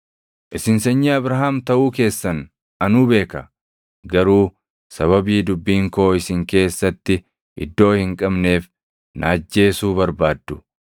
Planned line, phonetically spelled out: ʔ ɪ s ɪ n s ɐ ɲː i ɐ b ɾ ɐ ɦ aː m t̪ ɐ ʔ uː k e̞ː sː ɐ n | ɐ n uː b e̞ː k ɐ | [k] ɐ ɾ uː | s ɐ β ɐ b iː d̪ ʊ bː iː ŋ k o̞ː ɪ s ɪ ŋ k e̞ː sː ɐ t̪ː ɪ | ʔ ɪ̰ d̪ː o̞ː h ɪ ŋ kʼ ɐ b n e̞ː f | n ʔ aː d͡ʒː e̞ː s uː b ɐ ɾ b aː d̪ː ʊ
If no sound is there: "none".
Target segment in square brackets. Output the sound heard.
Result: ɡ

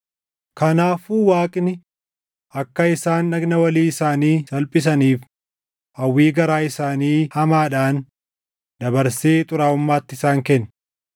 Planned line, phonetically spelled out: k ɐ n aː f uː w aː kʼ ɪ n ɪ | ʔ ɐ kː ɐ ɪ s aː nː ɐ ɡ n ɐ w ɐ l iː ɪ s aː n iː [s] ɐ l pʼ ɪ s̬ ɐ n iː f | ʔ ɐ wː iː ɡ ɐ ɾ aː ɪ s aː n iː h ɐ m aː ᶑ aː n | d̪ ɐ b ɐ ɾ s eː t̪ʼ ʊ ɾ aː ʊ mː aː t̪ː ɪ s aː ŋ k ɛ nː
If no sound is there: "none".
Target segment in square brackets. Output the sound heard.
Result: s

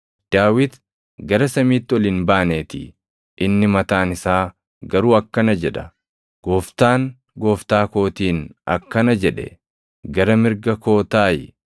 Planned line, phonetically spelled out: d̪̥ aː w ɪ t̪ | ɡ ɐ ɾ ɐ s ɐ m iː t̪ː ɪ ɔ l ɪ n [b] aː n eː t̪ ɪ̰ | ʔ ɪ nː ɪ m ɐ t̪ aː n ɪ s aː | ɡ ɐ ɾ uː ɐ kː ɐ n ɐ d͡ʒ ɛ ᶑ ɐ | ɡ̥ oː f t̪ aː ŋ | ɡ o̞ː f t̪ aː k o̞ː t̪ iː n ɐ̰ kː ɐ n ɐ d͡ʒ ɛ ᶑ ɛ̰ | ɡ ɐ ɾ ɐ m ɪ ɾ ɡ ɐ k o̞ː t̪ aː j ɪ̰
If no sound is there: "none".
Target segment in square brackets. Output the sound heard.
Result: b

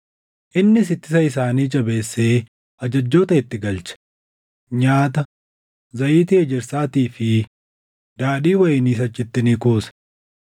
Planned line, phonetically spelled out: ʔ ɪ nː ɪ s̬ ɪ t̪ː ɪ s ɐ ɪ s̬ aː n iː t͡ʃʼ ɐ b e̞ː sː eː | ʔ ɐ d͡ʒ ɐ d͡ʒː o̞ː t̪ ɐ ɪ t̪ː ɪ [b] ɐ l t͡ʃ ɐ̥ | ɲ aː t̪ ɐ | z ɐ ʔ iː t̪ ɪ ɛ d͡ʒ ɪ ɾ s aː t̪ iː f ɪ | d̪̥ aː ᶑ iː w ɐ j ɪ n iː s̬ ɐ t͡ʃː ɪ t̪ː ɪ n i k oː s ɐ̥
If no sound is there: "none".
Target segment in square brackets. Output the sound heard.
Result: ɡ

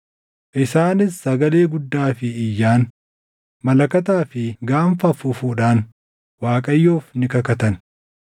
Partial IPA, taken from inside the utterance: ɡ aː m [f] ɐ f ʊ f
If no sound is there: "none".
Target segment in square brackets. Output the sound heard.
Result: f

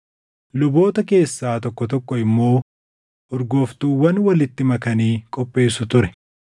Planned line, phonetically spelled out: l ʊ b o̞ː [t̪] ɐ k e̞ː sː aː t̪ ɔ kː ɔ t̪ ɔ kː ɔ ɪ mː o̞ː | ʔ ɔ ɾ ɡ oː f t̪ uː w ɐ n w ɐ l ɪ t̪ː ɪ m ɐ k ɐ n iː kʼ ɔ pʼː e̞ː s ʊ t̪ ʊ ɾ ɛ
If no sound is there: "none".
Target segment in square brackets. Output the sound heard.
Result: t̪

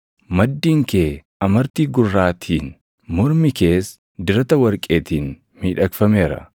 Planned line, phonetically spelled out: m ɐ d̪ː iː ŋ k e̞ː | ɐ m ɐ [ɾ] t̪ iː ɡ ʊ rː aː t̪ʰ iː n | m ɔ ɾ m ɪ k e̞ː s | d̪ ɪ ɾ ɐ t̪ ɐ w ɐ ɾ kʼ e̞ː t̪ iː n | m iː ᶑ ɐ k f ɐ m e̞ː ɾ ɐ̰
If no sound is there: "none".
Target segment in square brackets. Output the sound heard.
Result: ɾ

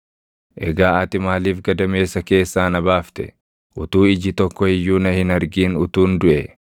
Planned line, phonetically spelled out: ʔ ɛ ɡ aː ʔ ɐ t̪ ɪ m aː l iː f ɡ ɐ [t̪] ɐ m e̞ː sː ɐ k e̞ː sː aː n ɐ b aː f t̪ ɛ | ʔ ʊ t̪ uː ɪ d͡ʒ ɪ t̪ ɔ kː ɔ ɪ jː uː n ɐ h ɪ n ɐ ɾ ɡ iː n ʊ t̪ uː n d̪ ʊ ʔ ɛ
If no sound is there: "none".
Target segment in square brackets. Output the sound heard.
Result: d̪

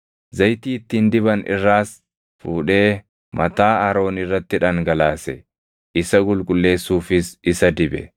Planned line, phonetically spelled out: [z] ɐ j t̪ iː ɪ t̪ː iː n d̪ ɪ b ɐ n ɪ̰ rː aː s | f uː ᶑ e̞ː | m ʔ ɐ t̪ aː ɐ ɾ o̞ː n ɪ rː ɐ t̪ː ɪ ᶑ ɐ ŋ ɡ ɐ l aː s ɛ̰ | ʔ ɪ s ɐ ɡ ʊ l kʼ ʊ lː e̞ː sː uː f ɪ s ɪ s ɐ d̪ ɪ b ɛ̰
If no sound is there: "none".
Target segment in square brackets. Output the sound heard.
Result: z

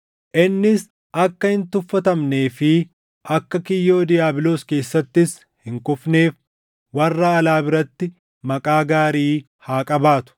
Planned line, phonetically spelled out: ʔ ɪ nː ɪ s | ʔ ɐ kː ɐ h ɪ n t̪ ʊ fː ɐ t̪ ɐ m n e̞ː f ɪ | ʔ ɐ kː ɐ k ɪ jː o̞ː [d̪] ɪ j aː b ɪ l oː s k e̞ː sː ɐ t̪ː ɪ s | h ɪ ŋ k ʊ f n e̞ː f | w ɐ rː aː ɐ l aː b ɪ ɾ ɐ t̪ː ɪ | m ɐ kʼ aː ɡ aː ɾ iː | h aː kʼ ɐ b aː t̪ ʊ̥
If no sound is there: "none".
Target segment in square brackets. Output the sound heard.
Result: d̪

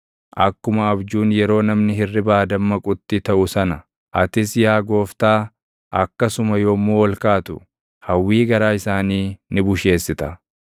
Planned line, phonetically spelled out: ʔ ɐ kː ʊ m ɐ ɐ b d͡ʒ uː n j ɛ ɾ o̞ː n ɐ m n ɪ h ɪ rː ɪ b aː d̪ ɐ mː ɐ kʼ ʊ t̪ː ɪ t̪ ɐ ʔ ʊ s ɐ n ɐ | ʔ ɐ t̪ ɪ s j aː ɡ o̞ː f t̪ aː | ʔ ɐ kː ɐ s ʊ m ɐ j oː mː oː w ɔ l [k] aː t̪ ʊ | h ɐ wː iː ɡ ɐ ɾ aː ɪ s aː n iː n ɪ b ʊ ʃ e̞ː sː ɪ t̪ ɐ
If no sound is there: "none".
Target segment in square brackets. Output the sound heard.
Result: k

